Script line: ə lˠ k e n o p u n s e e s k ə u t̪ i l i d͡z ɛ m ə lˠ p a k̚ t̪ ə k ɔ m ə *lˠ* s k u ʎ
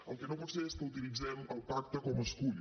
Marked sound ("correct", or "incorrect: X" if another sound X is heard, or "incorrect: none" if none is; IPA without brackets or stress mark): incorrect: none